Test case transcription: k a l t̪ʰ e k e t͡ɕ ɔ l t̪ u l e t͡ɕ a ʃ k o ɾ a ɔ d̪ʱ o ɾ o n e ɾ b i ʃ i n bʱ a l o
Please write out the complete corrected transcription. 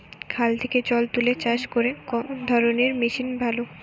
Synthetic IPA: kʰ a l t̪ʰ e k e t͡ɕ ɔ l t̪ u l e t͡ɕ a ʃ k o ɾ e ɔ d̪ʱ ɔ ɾ o n e ɾ m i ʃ i n bʱ a l o